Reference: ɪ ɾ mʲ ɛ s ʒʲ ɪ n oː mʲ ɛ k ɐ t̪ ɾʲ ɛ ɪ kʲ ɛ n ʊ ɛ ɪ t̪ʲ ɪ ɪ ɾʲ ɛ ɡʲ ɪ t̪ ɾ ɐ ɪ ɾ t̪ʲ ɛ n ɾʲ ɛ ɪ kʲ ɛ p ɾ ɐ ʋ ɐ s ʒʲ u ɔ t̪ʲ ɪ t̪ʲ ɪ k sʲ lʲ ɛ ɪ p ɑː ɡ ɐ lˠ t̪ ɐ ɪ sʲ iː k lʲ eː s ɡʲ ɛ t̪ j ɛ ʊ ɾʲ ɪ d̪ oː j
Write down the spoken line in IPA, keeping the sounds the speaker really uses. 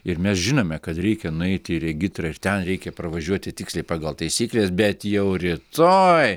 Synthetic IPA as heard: ɪ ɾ mʲ ɛ s ʒʲ ɪ n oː mʲ ɛ k ɐ t̪ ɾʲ ɛ ɪ kʲ ɛ n ʊ ɛ ɪ t̪ʲ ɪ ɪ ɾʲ ɛ ɡʲ ɪ t̪ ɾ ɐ ɪ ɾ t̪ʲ ɛ n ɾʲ ɛ ɪ kʲ ɛ p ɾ ɐ ʋ ɐ ʒʲ u ɔ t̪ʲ ɪ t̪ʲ ɪ k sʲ lʲ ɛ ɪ p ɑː ɡ ɐ lˠ t̪ ɐ ɪ sʲ iː k lʲ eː s bʲ ɛ t̪ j ɛ ʊ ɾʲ ɪ t̪ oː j